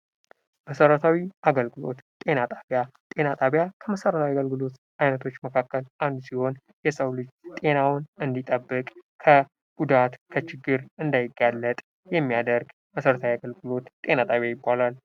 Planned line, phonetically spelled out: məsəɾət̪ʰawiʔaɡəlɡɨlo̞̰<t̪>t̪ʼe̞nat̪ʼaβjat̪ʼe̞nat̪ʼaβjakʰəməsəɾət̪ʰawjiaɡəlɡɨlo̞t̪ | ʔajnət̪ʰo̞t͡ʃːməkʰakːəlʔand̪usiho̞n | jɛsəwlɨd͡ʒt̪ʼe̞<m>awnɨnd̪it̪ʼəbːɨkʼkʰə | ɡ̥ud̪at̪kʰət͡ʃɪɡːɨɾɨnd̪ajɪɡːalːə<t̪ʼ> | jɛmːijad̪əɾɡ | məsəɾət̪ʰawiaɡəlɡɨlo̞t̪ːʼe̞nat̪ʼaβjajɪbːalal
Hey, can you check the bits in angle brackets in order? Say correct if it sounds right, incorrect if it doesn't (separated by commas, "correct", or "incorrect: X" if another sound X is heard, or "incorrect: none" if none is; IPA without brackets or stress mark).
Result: correct, incorrect: n, correct